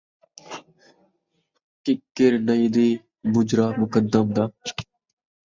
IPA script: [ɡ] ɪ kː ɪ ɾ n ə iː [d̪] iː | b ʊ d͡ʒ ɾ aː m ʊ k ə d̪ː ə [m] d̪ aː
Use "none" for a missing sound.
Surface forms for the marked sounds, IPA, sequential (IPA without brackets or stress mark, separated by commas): k, d̪, m